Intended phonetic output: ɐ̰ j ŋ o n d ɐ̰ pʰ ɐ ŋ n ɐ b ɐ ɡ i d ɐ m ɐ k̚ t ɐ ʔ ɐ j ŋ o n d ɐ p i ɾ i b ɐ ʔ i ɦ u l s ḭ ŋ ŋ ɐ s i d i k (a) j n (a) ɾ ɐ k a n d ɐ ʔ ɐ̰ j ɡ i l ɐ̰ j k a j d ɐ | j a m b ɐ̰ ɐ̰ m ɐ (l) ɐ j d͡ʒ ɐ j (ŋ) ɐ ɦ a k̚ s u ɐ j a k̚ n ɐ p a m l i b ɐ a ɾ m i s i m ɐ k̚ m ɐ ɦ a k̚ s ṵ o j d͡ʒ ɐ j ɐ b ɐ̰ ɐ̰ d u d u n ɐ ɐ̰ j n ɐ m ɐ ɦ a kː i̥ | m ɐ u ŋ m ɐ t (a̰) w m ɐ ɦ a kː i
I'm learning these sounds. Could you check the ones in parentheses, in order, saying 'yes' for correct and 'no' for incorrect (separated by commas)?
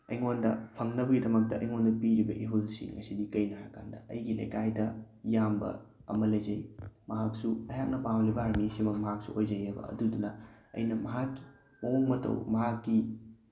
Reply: no, yes, yes, no, no